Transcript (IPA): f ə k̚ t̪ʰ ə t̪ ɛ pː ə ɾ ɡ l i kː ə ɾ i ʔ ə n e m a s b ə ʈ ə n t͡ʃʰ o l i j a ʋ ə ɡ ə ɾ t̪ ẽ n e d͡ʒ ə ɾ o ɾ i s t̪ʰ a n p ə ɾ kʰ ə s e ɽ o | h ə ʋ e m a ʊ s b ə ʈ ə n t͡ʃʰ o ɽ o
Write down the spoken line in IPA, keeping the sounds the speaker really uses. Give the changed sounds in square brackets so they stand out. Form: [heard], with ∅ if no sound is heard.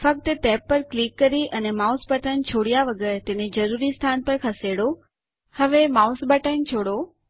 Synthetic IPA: f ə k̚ [t̪] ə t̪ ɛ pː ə ɾ [k] l i kː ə ɾ i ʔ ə n e m a s b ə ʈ ə n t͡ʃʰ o [ɽ] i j a ʋ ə ɡ ə ɾ t̪ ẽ n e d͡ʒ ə ɾ [u] ɾ i s t̪ʰ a n p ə ɾ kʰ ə s e ɽ o | h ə ʋ e m a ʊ s b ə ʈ ə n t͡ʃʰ o ɽ o

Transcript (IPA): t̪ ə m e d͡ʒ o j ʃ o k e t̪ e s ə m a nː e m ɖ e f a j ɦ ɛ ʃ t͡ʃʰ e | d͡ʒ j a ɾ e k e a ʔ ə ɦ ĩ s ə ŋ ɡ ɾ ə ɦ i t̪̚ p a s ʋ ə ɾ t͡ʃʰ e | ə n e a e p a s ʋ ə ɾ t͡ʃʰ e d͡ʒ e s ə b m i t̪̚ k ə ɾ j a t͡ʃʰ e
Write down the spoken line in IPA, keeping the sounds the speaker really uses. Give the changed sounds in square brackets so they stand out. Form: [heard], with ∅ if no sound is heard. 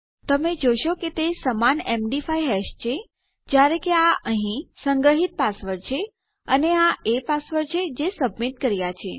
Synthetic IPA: t̪ ə m e d͡ʒ o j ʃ o k e t̪ e s ə m a [n] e m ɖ [i] f a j ɦ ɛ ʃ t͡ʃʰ e | d͡ʒ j a ɾ e k e a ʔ ə ɦ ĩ s ə ŋ ɡ ɾ ə ɦ i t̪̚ p a s ʋ ə ɾ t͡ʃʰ e | ə n e a e p a s ʋ ə ɾ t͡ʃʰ e d͡ʒ e s ə b m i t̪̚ k ə ɾ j a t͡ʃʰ e

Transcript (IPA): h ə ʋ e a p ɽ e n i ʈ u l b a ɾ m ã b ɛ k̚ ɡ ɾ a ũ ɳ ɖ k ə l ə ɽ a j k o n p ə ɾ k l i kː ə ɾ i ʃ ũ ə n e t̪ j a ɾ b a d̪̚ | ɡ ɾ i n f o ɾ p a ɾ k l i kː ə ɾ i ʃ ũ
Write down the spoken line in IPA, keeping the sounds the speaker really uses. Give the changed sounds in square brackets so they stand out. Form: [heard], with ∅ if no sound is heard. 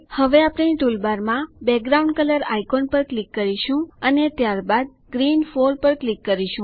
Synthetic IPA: h ə ʋ e a p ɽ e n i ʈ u l b a ɾ m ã b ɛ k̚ ɡ ɾ a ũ ɳ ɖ k ə l ə [ɾ] a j k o n p ə ɾ k l i kː ə ɾ i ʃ ũ ə n e t̪ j a ɾ b a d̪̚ | ɡ ɾ i n f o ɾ p [ə] ɾ k l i kː ə ɾ i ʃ ũ

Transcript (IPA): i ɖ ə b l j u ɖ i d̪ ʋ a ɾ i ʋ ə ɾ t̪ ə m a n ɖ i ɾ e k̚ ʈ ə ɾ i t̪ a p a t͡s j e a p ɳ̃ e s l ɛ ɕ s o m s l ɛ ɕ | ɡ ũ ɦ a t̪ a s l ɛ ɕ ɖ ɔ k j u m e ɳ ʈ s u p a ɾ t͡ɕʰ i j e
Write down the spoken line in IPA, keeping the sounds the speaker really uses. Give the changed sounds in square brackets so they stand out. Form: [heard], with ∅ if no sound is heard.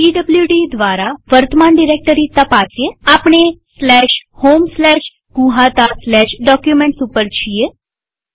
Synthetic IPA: i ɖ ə b l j u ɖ i d̪ ʋ a ɾ [a] ʋ ə ɾ t̪ ə m a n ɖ i ɾ e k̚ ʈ ə ɾ i t̪ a p a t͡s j e a p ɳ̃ e s l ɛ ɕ [h] o m s l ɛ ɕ | ɡ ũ ɦ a t̪ a s l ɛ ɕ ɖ ɔ k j u m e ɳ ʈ s u p [ə] ɾ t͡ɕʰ i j e

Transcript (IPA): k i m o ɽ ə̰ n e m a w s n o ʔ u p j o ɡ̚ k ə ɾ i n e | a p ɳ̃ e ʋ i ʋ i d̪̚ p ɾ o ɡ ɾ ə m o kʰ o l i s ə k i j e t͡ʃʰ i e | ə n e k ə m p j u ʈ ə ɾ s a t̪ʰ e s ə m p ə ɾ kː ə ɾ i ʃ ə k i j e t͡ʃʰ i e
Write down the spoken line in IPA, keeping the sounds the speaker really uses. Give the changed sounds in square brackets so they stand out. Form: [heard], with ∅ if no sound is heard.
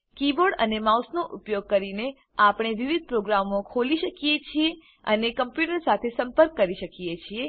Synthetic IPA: k i [b] o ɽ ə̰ n e m a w s n o ʔ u p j o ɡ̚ k ə ɾ i n e | a p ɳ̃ e ʋ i ʋ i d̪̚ p ɾ o ɡ ɾ [a] m o kʰ o l i [ʃ] ə k i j e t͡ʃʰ i e | ə n e k ə m p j u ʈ ə ɾ s a t̪ʰ e s ə m p ə ɾ kː ə ɾ i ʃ ə k i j e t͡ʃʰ i e

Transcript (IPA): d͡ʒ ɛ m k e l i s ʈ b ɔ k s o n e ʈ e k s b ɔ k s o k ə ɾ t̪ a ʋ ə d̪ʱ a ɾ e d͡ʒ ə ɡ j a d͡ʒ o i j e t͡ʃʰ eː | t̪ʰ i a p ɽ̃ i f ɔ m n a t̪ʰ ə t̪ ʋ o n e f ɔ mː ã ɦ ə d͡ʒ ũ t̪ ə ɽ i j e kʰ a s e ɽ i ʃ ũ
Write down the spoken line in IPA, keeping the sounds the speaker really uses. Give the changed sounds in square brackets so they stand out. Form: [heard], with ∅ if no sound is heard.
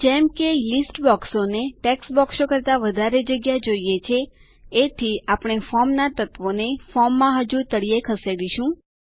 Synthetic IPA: d͡ʒ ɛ m k e l i s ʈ b ɔ k s o n e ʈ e k s b ɔ k s o k ə ɾ t̪ a ʋ ə d̪ʱ a ɾ e d͡ʒ ə ɡ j a d͡ʒ o i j e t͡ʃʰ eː | t̪ʰ i a p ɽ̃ [e] f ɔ m n a [t̪] ə t̪ ʋ o n e f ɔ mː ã ɦ ə d͡ʒ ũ t̪ ə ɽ i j e kʰ [ə] s e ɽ i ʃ ũ

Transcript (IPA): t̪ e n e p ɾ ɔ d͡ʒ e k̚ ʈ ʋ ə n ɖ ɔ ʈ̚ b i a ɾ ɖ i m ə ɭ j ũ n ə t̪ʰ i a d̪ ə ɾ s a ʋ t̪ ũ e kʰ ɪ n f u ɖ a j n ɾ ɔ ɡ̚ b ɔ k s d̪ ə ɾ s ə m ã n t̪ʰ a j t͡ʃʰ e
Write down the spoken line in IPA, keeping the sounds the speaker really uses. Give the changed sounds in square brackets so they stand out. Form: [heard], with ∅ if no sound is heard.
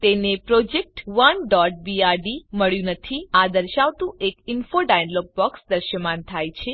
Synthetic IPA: t̪ e n e p ɾ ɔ d͡ʒ e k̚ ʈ ʋ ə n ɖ ɔ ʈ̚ b i a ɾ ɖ i m ə ɭ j ũ n ə t̪ʰ i a d̪ ə ɾ [ʃ] a ʋ t̪ ũ e [k] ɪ n f [o] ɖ a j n [l] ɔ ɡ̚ b ɔ k s d̪ ə ɾ [ʃ] ə m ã n t̪ʰ a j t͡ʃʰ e

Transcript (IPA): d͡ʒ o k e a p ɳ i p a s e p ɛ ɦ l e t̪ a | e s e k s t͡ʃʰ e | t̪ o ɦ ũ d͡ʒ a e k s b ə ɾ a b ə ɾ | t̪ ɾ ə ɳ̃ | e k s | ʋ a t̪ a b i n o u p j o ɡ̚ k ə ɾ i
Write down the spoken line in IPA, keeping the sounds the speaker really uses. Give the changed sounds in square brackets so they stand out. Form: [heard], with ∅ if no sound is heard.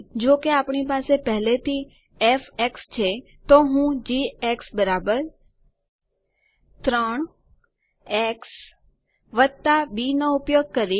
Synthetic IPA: d͡ʒ o k e a p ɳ i p a s e p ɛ ɦ l e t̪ [i] | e [f] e k s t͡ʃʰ e | t̪ o ɦ ũ d͡ʒ [i] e k s b ə ɾ a b ə ɾ | t̪ ɾ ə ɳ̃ | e k s | ʋ [ə] t̪ a b i n o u p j o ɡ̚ k ə ɾ i

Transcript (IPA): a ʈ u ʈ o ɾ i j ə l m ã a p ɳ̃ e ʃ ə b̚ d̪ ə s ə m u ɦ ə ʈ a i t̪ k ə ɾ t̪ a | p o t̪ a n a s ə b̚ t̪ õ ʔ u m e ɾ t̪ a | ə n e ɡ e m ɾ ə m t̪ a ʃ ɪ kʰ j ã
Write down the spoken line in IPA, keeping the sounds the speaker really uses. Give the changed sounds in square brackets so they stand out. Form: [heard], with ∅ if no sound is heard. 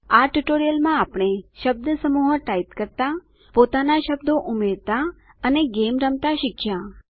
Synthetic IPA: a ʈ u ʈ o ɾ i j ə l m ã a p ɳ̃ e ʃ ə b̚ d̪ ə s ə m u ɦ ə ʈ a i t̪ k ə ɾ t̪ a | p o t̪ a n a [ʃ] ə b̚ [d̪] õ ʔ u m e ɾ t̪ a | ə n e ɡ e m ɾ ə m t̪ a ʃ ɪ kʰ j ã

